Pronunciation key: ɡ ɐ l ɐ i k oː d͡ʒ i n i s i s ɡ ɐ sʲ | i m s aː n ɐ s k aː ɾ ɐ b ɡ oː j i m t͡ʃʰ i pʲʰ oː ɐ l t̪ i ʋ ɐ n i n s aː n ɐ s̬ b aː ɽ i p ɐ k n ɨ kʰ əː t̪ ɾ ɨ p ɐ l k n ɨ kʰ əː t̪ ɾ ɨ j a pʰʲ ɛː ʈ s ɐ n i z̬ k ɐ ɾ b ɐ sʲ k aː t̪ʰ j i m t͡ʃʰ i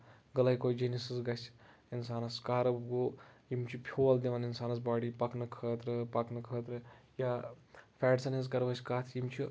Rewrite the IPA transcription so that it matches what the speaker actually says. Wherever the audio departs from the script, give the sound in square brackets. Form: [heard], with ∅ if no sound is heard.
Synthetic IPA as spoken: ɡ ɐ l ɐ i k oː d͡ʒ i n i s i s ɡ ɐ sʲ | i [n] s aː n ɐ s k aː ɾ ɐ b ɡ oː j i m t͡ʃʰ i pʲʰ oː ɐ l [d̪] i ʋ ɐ n i n s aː n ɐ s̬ b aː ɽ i p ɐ k n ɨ kʰ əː t̪ ɾ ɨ p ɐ [∅] k n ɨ kʰ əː t̪ ɾ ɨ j a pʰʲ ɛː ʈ s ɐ n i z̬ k ɐ ɾ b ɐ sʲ k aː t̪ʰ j i m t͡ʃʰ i